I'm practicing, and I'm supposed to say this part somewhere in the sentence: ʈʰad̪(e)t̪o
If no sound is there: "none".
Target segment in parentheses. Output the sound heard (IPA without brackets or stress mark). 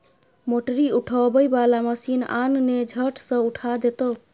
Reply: e